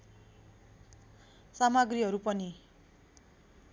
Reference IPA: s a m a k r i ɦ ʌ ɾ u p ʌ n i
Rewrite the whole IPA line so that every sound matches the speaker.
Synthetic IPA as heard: s a m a ɡ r i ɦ ʌ ɾ u p ʌ n i